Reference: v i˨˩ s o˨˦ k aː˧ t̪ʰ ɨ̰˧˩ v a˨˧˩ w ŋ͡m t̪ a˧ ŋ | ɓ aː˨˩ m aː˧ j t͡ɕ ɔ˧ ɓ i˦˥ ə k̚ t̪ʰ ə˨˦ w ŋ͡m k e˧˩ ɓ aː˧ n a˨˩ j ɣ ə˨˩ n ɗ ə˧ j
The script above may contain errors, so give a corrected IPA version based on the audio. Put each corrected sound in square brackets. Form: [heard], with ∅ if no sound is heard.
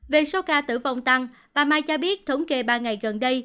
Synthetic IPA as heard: v [e˨˩] s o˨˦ k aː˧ [t̪] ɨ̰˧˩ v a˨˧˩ w ŋ͡m t̪ a˧ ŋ | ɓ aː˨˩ m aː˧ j t͡ɕ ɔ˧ ɓ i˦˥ ə [t̚] t̪ʰ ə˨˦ w ŋ͡m k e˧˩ ɓ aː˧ [ŋ] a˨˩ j ɣ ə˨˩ n ɗ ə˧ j